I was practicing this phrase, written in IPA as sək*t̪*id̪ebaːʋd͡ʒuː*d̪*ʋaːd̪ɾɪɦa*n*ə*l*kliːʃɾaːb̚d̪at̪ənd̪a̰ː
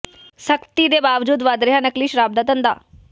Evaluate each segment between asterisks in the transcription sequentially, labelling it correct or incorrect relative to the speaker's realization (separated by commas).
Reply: correct, correct, correct, incorrect